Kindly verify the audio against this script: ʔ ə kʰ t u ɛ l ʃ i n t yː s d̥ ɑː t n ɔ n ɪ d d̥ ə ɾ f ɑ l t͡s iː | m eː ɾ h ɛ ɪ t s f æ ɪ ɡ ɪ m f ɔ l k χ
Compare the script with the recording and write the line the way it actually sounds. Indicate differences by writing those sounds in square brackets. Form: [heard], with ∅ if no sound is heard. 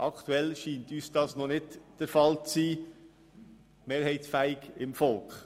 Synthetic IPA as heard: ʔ [ɑ] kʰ t u ɛ l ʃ [iː] n t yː s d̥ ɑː [s] n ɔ n ɪ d d̥ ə ɾ f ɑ l t͡s iː | m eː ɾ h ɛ ɪ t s f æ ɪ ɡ ɪ m f ɔ l k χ